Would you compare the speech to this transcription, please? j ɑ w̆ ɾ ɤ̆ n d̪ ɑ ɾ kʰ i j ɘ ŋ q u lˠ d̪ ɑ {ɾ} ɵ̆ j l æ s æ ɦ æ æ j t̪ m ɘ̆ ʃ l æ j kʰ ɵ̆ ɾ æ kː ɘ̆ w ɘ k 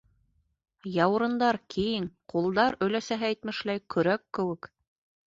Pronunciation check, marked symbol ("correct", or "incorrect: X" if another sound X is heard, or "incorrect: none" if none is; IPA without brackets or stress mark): correct